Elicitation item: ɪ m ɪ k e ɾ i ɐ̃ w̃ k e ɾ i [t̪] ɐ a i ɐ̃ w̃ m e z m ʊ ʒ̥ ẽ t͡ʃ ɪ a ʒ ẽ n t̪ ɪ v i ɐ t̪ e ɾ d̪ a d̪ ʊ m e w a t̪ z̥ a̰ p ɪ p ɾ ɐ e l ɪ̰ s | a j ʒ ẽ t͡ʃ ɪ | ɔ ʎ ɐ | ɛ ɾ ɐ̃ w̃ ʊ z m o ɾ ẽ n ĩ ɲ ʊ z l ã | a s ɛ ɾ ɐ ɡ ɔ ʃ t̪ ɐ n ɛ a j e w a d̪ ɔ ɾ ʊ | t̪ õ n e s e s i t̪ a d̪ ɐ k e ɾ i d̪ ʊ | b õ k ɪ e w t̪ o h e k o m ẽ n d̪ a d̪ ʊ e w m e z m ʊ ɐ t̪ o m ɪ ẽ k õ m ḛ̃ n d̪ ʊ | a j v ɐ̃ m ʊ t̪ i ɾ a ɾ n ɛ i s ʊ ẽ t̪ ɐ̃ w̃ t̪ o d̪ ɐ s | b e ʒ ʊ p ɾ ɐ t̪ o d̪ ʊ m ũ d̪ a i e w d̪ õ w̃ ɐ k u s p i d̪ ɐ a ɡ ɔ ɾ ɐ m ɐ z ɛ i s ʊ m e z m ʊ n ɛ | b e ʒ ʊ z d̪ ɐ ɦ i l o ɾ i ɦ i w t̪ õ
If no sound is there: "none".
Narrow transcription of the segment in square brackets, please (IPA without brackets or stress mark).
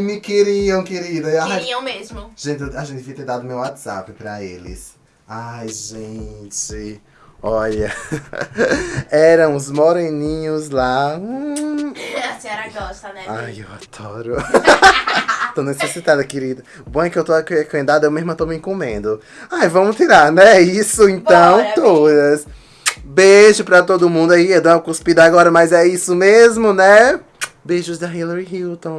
d̪